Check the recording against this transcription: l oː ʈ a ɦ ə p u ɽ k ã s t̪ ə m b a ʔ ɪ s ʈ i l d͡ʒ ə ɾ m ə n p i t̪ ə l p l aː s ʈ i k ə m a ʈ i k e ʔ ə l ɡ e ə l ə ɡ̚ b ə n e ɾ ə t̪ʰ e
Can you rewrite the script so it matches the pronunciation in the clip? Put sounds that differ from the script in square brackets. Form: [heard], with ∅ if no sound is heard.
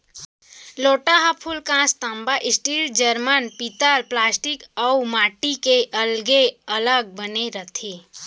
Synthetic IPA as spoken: l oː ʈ a ɦ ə [pʰ] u [l] k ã s t̪ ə m b a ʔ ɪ s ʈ i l d͡ʒ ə ɾ m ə n p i t̪ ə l p l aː s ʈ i k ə m a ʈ i k e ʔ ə l ɡ e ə l ə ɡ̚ b ə n e ɾ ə t̪ʰ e

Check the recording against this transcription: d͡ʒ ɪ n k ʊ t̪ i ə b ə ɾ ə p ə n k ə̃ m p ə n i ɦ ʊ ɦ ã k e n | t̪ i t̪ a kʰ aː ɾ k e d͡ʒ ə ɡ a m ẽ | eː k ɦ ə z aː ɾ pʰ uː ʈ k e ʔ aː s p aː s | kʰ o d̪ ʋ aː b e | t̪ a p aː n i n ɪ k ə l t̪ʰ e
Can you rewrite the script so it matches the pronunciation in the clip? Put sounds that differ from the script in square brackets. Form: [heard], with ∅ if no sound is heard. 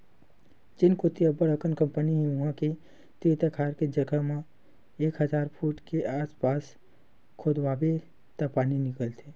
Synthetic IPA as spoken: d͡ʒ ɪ n k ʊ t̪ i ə b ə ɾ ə [k] ə n k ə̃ m p ə n i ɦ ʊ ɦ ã k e [∅] | t̪ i t̪ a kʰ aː ɾ k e d͡ʒ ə ɡ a m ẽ | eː k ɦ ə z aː ɾ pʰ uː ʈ k e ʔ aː s p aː s | kʰ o d̪ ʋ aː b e | t̪ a p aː n i n ɪ k ə l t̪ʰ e

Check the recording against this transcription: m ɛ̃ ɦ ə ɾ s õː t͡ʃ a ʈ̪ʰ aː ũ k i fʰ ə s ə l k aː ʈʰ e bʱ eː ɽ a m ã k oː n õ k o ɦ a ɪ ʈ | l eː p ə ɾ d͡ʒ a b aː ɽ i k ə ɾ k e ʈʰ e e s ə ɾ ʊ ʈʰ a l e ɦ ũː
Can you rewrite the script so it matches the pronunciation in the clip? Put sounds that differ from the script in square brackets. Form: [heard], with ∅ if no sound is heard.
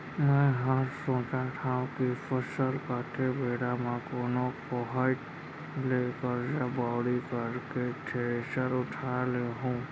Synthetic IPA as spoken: m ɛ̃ ɦ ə ɾ s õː t͡ʃ a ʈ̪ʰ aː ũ k i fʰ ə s ə l k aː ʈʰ e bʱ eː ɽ a m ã k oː n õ k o ɦ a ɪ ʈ | l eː [k] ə ɾ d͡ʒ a b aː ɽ i k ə ɾ k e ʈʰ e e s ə ɾ ʊ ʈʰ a l e ɦ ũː

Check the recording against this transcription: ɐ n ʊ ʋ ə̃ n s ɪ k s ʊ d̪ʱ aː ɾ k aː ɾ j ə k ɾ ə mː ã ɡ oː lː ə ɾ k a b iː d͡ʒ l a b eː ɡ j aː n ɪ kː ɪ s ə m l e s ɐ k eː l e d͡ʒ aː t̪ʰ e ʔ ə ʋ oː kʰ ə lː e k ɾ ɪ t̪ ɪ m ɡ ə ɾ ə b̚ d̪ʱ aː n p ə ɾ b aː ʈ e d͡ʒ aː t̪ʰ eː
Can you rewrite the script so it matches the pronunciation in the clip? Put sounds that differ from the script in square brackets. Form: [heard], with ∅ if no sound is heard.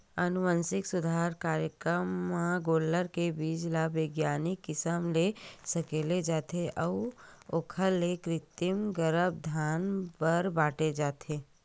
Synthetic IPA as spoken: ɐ n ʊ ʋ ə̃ n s ɪ k s ʊ d̪ʱ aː ɾ k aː ɾ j ə k ɾ ə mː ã ɡ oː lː ə ɾ k [e] b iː d͡ʒ l a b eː ɡ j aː n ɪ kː ɪ s ə m l e s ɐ k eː l e d͡ʒ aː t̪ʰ e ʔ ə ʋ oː kʰ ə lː e k ɾ ɪ t̪ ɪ m ɡ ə ɾ ə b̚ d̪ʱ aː n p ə ɾ b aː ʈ e d͡ʒ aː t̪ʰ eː

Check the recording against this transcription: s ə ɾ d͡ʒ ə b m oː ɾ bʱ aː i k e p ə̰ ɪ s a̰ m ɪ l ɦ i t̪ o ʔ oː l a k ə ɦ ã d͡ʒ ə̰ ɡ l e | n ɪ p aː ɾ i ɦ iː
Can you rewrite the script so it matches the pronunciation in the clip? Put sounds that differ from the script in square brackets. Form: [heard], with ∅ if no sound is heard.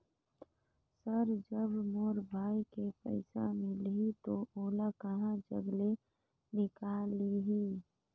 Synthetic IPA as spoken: s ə ɾ d͡ʒ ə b m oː ɾ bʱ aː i k e p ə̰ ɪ s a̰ m ɪ l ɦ i t̪ o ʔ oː l a k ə ɦ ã d͡ʒ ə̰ ɡ l e | n ɪ [k] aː [l] i ɦ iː

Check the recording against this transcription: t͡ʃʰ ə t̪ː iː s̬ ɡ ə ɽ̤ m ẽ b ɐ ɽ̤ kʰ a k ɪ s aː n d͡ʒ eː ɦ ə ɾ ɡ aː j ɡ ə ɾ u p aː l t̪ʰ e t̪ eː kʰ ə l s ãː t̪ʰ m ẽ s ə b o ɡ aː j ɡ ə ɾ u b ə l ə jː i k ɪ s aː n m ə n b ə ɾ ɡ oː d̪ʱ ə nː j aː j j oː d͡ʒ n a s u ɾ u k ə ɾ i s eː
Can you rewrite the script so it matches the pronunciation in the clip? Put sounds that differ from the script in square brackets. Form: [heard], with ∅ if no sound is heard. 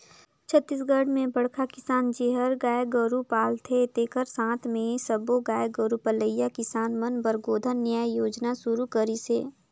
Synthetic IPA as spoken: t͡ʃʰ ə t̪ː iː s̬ ɡ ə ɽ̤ m ẽ b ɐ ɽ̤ kʰ a k ɪ s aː n d͡ʒ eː ɦ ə ɾ ɡ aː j ɡ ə ɾ u p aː l t̪ʰ e t̪ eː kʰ ə [ɾ] s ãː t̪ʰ m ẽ s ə b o ɡ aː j ɡ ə ɾ u [p] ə l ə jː [a] k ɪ s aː n m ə n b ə ɾ ɡ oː d̪ʱ ə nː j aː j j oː d͡ʒ n a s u ɾ u k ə ɾ i s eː

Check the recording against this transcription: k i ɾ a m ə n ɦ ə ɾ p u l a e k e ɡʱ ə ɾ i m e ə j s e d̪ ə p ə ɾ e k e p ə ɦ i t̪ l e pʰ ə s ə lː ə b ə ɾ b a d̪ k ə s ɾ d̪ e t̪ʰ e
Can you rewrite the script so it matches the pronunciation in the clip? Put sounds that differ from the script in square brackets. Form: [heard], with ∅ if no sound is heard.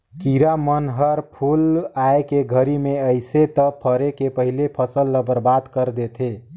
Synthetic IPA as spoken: k i ɾ a m ə n ɦ ə ɾ [pʰ] u l a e k e ɡʱ ə ɾ i m e ə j s e [t̪] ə [pʰ] ə ɾ e k e p ə ɦ i [∅] l e pʰ ə s ə lː ə b ə ɾ b a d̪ k ə [∅] ɾ d̪ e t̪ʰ e

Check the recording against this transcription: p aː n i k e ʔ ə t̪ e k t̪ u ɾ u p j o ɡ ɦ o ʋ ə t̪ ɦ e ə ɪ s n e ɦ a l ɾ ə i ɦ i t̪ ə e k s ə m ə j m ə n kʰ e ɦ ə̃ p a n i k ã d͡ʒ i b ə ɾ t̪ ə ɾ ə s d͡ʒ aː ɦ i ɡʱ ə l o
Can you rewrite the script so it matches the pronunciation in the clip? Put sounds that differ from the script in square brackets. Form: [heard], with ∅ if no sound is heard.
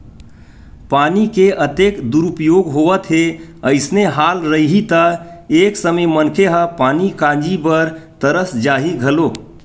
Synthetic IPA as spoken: p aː n i k e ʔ ə t̪ e k [d̪] u ɾ u p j o ɡ ɦ o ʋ ə t̪ ɦ e ə ɪ s n e ɦ a l ɾ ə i ɦ i t̪ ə e k s ə m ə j m ə n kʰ e ɦ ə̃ p a n i k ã d͡ʒ i b ə ɾ t̪ ə ɾ ə s d͡ʒ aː ɦ i ɡʱ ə l o

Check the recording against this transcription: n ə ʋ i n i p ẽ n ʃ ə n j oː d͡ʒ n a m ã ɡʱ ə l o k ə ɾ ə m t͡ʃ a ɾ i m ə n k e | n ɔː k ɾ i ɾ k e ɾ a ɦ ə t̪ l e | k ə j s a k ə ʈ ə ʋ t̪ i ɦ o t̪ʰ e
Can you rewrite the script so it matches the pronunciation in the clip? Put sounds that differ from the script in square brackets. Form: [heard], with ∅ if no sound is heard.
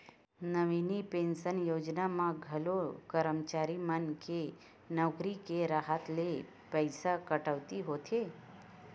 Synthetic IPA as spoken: n ə ʋ i n i p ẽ n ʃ ə n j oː d͡ʒ n a m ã ɡʱ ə l o k ə ɾ ə m t͡ʃ a ɾ i m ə n k e | n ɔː k ɾ i [∅] k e ɾ a ɦ ə t̪ l e | [p] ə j s a k ə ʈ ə ʋ t̪ i ɦ o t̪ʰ e

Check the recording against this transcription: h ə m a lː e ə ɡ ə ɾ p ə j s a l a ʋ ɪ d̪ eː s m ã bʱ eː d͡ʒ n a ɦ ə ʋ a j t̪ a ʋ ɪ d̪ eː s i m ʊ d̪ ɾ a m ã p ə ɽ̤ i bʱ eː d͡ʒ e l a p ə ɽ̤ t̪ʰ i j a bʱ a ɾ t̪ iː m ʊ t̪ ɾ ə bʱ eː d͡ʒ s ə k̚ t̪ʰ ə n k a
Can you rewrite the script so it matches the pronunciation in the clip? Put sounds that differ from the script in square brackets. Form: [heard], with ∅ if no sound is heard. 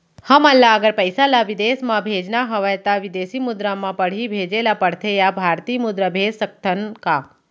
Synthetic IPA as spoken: h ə m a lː [a] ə ɡ ə ɾ p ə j s a l a ʋ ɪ d̪ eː s m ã bʱ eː d͡ʒ n a ɦ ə ʋ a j t̪ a ʋ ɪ d̪ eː s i m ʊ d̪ ɾ a m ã p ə ɽ̤ i bʱ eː d͡ʒ e l a p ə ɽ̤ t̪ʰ [e] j a bʱ a ɾ t̪ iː m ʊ [d̪] ɾ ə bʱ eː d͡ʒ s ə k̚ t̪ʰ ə n k a

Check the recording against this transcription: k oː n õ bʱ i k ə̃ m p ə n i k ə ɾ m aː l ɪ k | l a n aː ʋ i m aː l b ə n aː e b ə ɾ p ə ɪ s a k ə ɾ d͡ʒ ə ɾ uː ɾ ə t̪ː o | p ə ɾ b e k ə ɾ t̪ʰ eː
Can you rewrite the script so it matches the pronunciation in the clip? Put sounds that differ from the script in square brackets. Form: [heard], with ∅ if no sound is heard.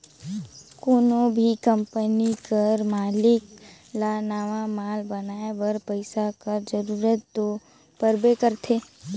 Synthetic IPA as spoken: k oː n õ bʱ i k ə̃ m p ə n i k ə ɾ m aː l ɪ k | l a n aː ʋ [a] m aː l b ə n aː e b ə ɾ p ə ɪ s a k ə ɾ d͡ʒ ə ɾ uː ɾ ə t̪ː o | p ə ɾ b e k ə ɾ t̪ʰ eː

